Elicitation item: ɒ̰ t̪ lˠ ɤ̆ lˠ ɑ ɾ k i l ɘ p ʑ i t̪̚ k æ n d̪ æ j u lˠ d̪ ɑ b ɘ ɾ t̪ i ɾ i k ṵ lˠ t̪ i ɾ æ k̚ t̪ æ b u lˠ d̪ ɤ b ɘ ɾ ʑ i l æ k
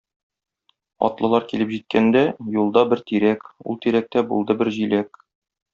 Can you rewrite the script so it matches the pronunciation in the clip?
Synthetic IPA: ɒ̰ t̪ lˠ ɤ̆ lˠ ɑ ɾ k i l ɘ p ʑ i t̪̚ k æ n d̪ æ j u lˠ d̪ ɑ b ɘ ɾ t̪ i ɾ æ k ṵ lˠ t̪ i ɾ æ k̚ t̪ æ b u lˠ d̪ ɤ b ɘ ɾ ʑ i l æ k

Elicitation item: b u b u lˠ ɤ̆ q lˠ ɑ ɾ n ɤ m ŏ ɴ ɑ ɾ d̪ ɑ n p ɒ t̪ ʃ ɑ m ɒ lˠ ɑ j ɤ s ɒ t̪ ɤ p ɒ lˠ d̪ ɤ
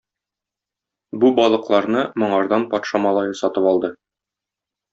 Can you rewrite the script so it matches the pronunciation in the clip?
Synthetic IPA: b u b ɒ lˠ ɤ̆ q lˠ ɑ ɾ n ɤ m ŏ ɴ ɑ ɾ d̪ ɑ n p ɒ t̪ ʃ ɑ m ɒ lˠ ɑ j ɤ s ɒ t̪ ɤ p ɒ lˠ d̪ ɤ

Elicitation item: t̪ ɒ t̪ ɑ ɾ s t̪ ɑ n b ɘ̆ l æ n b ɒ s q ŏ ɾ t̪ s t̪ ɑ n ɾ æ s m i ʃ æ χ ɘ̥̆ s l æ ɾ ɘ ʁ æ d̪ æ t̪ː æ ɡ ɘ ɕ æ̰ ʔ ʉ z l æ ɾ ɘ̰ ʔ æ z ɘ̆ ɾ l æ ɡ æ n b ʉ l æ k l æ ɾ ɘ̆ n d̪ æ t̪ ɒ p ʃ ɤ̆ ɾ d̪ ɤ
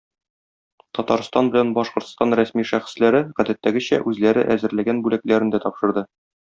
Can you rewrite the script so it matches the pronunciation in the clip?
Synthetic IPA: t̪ ɒ t̪ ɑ ɾ s t̪ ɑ n b ɘ̆ l æ n b ɒ ʃ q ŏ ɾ t̪ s t̪ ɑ n ɾ æ s m i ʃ æ χ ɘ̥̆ s l æ ɾ ɘ ʁ æ d̪ æ t̪ː æ ɡ ɘ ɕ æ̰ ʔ ʉ z l æ ɾ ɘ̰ ʔ æ z ɘ̆ ɾ l æ ɡ æ n b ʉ l æ k l æ ɾ ɘ̆ n d̪ æ t̪ ɒ p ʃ ɤ̆ ɾ d̪ ɤ

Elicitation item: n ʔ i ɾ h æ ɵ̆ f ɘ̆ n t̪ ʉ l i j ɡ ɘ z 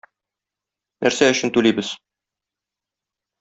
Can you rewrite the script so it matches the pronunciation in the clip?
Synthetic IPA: n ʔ æ ɾ s æ ɵ̆ ɕ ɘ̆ n t̪ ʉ l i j b ɘ z

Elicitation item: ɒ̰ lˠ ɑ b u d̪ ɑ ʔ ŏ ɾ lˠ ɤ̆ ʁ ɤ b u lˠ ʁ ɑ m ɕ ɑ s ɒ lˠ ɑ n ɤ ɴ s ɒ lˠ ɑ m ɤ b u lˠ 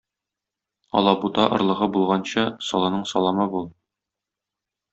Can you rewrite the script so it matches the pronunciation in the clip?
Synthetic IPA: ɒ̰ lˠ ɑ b u t̪ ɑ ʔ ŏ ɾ lˠ ɤ̆ ʁ ɤ b u lˠ ʁ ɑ n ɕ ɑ s ɒ lˠ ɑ n ɤ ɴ s ɒ lˠ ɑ m ɤ b u lˠ

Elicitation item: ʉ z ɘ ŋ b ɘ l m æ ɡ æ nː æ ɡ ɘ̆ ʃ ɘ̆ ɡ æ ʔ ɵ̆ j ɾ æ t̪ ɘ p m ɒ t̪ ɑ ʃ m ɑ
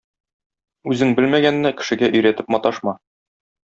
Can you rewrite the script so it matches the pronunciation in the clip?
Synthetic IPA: ʉ z ɘ ŋ b ɘ l m æ ɡ æ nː æ k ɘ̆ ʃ ɘ̆ ɡ æ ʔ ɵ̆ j ɾ æ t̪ ɘ p m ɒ t̪ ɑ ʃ m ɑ

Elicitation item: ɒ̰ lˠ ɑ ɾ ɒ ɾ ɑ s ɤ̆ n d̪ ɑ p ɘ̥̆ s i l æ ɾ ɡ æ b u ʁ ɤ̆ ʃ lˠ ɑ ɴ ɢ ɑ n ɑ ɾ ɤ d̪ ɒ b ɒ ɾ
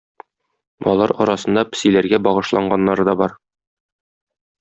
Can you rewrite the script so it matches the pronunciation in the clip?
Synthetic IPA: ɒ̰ lˠ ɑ ɾ ɒ ɾ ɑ s ɤ̆ n d̪ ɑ p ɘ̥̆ s i l æ ɾ ɡ æ b ɒ ʁ ɤ̆ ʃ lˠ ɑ ɴ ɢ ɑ nː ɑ ɾ ɤ d̪ ɒ b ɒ ɾ

